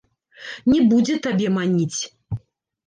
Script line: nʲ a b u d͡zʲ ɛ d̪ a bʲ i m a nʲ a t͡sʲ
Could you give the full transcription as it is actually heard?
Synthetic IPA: nʲ ɛ b u d͡zʲ ɛ t̪ a bʲ ɛ m a nʲ i t͡sʲ